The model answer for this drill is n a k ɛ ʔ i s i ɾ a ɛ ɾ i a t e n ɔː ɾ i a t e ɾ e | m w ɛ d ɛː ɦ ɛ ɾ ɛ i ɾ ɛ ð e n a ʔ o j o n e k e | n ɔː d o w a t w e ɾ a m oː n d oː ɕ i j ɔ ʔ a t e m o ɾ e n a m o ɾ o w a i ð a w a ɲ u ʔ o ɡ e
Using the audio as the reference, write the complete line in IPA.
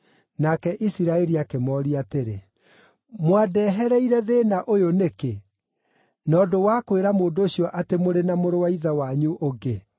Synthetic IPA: n a k ɛ ʔ i s i ɾ a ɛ ɾ i a k e m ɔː ɾ i a t e ɾ e | m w a d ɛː ɦ ɛ ɾ ɛ i ɾ ɛ ð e n a ʔ o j o n e k e | n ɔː d o w a k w e ɾ a m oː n d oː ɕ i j ɔ ʔ a t e m o ɾ e n a m o ɾ o w a i ð a w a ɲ u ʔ o ɡ e

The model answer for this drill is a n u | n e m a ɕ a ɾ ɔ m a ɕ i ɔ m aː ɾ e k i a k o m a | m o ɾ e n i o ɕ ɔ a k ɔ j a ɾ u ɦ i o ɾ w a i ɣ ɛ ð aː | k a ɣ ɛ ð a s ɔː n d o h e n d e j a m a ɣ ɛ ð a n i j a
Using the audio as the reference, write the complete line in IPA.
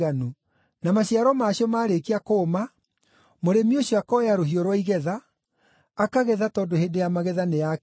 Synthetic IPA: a n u | n a m a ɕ a ɾ ɔ m a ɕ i ɔ m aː ɾ e k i a k o m a | m o ɾ e m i o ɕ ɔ a k ɔ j a ɾ o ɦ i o ɾ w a i ɣ ɛ ð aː | k a ɣ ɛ ð a t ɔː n d o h e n d e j a m a ɣ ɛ ð a n e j a

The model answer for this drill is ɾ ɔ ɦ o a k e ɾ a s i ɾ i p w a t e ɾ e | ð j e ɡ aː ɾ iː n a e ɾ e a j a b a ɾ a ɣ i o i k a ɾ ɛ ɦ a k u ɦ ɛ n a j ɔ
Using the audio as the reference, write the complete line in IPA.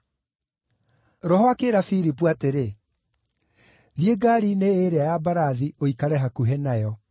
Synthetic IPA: ɾ ɔ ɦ ɔ a k e ɾ a f i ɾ i p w a t e ɾ e | ð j e ɡ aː ɾ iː n e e ɾ e a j a b a ɾ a ð i o i k a ɾ ɛ ɦ a k u ɦ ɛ n a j ɔ

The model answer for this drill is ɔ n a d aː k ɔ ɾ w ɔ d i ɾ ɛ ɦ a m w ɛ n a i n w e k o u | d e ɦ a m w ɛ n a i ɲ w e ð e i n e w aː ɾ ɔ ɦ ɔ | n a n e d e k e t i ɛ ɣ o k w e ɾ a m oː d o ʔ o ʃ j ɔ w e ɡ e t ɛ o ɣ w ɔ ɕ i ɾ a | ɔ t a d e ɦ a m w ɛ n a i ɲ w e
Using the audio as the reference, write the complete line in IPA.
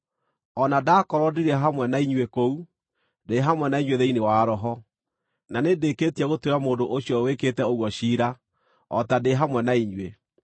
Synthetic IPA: ɔ n a d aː k ɔ ɾ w ɔ d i ɾ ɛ ɦ a m w ɛ n a i ɲ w e k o u | d e ɦ a m w ɛ n a i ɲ w e ð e i n e w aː ɾ ɔ ɦ ɔ | n a n e d e k e t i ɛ ɣ o t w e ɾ a m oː d o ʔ o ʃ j ɔ w e k e t ɛ o ɣ w ɔ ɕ i ɾ a | ɔ t a d e ɦ a m w ɛ n a i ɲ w e

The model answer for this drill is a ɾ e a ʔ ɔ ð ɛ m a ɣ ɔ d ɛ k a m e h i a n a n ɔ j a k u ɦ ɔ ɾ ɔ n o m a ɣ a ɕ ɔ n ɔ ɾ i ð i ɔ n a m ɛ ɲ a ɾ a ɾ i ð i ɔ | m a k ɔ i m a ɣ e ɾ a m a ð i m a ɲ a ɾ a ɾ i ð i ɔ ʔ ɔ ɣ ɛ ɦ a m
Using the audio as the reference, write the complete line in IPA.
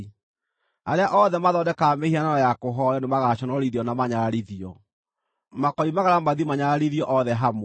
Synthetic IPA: a ɾ e a ʔ ɔ ð ɛ m a ð ɔ d ɛ k a m e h i a n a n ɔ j a k o ɦ ɔ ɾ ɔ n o m a ɣ a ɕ ɔ n ɔ ɾ i ð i ɔ n a m a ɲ a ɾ a ɾ i ð i ɔ | m a k ɔ i m a ɣ a ɾ a m a ð i m a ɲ a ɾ a ɾ i ð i ɔ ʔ ɔ ð ɛ ɦ a m

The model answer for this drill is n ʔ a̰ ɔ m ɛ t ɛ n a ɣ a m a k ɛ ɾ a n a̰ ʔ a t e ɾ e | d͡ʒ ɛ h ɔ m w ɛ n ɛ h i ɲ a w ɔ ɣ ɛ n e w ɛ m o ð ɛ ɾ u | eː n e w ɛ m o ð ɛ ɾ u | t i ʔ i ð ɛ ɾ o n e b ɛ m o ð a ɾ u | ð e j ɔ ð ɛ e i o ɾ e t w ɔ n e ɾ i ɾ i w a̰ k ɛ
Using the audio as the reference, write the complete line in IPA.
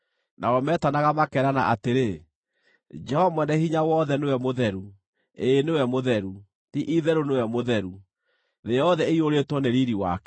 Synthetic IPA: n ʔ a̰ ɔ m ɛ t a n a ɣ a m a k ɛ ɾ a n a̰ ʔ a t e ɾ e | d͡ʒ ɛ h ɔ m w ɛ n ɛ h i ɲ a w ɔ ð ɛ n e w ɛ m o ð ɛ ɾ u | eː n e w ɛ m o ð ɛ ɾ u | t i ʔ i ð ɛ ɾ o n e w ɛ m o ð ɛ ɾ u | ð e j ɔ ð ɛ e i o ɾ e t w ɔ n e ɾ i ɾ i w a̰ k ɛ

